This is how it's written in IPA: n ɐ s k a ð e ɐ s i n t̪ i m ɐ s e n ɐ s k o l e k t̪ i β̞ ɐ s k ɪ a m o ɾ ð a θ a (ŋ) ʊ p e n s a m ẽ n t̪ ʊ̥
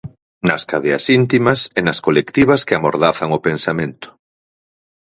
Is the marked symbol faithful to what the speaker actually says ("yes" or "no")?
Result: yes